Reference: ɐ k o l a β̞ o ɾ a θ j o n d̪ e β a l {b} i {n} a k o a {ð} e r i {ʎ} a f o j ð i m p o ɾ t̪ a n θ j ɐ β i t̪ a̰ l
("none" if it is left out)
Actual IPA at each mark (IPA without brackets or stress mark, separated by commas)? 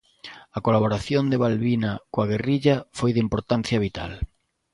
β, n, ɣ, ʎ